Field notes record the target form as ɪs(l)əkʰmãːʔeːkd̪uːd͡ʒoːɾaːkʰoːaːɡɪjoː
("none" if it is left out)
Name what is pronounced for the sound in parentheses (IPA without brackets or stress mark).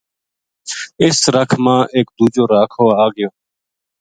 ɾ